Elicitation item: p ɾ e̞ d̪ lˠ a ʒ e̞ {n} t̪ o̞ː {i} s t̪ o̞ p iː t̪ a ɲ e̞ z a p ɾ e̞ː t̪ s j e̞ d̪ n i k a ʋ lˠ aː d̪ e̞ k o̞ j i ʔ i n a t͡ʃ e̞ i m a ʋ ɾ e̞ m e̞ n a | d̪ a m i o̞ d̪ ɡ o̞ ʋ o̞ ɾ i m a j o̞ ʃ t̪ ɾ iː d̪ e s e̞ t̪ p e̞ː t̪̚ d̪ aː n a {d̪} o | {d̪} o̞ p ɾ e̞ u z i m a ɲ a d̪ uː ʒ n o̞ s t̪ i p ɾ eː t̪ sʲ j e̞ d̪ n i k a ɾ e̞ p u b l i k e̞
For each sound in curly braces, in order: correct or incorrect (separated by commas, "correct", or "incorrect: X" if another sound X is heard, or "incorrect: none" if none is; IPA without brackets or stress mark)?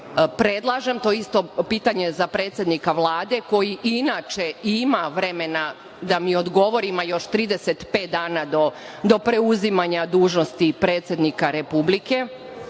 incorrect: m, correct, correct, correct